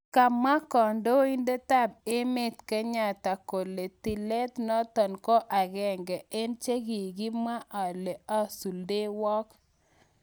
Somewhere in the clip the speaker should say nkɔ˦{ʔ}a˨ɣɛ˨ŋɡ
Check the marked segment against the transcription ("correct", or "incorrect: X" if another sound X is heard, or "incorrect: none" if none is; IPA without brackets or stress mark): correct